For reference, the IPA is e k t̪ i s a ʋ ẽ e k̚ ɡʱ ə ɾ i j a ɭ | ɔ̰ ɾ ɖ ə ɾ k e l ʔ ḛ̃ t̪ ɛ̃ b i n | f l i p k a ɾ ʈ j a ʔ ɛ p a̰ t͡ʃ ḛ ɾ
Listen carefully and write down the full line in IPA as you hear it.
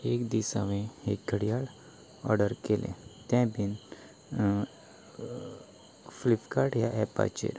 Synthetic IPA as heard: e k d̪ i s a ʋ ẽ e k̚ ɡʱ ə ɽ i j a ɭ | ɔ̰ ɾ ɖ ə ɾ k e l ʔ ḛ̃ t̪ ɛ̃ b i n | f l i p k a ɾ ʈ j a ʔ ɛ p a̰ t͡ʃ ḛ ɾ